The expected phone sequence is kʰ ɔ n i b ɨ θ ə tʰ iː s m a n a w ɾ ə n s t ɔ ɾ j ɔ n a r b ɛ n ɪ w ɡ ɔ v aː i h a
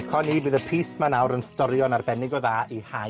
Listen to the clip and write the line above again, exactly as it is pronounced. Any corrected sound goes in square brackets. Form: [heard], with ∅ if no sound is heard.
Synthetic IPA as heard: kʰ ɔ n i b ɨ [ð] ə [pʰ] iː s m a n a w ɾ ə n s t ɔ ɾ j ɔ n a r b ɛ n ɪ [∅] ɡ ɔ [ð] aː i h a

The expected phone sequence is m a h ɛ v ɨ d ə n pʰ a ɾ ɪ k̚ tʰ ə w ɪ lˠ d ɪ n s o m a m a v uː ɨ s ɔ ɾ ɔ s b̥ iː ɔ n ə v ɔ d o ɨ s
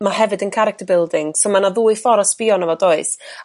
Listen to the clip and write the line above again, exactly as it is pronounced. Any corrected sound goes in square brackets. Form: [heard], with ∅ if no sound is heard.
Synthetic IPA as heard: m a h ɛ v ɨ d ə n [kʰ] a ɾ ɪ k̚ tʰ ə [b] ɪ lˠ d ɪ [ŋ] s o m a [n] a [ð] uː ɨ [f] ɔ ɾ ɔ s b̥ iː ɔ n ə v ɔ d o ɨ s

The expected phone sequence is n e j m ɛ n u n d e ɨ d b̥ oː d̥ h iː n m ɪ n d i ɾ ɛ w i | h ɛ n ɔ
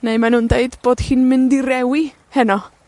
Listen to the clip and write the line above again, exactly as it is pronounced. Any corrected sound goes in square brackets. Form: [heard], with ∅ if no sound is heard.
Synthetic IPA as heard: n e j m [a] n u n d e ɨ d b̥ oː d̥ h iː n m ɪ n d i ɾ ɛ w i | h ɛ n ɔ

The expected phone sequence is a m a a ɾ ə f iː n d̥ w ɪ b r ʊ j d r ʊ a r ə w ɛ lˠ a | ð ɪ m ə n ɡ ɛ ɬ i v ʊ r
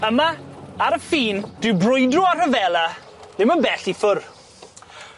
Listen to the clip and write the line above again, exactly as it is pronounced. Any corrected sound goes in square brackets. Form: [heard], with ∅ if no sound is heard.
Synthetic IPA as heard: [ə] m a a ɾ ə f iː n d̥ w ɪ b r ʊ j d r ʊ a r ə [v] ɛ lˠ a | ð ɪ m ə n [b] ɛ ɬ i [f] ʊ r

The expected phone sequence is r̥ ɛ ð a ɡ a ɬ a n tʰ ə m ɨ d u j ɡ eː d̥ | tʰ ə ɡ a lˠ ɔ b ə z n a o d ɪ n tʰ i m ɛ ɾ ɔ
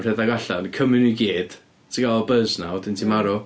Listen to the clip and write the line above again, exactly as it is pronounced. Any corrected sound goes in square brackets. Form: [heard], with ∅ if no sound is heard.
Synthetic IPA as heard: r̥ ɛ ð a ɡ a ɬ a n [kʰ] ə m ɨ [n] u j ɡ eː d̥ | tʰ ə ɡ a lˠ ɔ b ə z n a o d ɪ n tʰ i m [a] ɾ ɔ

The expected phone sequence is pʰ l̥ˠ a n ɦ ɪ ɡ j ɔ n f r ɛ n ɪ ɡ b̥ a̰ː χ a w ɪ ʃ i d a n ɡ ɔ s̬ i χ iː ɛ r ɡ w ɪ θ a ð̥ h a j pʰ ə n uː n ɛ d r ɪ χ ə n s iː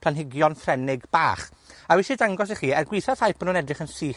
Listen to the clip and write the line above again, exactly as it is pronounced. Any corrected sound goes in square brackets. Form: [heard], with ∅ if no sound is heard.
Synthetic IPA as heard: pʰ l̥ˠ a n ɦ ɪ ɡ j ɔ n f r ɛ n ɪ ɡ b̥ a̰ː χ a w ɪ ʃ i d a [ŋ] ɡ ɔ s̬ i χ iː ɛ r ɡ w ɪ θ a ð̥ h a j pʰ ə n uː n ɛ d r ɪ χ ə n s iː

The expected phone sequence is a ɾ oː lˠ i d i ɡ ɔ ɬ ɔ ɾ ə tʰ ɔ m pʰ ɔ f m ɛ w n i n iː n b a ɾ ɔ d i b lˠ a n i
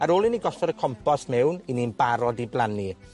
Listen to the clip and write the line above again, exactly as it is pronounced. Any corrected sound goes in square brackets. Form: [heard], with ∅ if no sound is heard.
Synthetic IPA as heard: a ɾ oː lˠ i [n] i ɡ ɔ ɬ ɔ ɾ ə [kʰ] ɔ m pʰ ɔ [s] m ɛ w n i n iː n b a ɾ ɔ d i b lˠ a n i

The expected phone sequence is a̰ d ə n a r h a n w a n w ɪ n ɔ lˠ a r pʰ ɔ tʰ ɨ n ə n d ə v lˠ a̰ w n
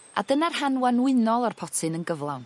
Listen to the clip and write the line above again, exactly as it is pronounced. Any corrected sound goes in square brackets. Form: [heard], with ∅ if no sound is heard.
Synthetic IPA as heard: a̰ d ə n a r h a n w a n w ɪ n ɔ lˠ a r pʰ ɔ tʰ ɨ n ə n [ɡ] ə v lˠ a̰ w n

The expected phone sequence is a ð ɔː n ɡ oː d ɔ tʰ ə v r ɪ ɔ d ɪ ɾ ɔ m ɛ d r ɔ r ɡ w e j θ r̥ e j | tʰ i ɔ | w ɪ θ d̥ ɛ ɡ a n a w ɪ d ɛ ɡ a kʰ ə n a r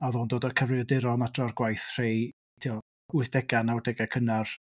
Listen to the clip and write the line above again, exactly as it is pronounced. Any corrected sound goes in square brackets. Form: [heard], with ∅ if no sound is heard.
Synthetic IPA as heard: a ð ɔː n [d] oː d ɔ [kʰ] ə v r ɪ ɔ d ɪ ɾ ɔ m [a] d r ɔ r ɡ w [a] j θ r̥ e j | tʰ i ɔ | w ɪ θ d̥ ɛ ɡ a n a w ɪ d ɛ ɡ a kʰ ə n a r

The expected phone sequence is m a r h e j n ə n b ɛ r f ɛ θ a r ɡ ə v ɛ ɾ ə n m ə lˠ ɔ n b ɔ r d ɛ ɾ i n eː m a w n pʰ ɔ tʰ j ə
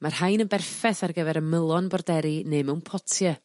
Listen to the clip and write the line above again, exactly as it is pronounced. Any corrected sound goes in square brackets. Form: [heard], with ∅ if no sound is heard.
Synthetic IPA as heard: m a r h [a] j n ə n b ɛ r f ɛ θ a r ɡ ə v ɛ ɾ ə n m ə lˠ ɔ n b ɔ r d ɛ ɾ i n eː m [ɛ] w n pʰ ɔ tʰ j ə

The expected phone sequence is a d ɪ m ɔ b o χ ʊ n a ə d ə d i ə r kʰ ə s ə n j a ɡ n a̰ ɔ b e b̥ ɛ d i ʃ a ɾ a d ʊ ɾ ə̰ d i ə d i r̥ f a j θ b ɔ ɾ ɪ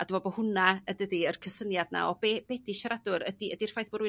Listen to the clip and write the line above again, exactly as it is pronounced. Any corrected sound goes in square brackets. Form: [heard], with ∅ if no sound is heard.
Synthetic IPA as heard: a d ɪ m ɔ b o [h] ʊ n a ə d ə d i ə r kʰ ə s ə n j a [d] n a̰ ɔ b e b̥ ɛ d i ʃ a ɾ a d ʊ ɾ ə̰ d i ə d i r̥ f a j θ b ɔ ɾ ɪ

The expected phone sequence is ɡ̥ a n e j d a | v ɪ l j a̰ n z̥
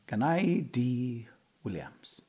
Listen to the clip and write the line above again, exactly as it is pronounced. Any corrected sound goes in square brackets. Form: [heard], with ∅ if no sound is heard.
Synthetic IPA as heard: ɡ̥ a n [a] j d [i] | [w] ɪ l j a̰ [m] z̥

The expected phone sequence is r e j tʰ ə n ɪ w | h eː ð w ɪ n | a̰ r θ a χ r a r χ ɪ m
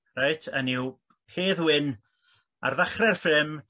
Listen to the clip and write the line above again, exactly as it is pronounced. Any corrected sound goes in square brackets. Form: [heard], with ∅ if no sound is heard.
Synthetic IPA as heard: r [a] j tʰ ə n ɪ w | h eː ð w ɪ n | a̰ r [ð] a χ r [ɛ] r [f] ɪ m

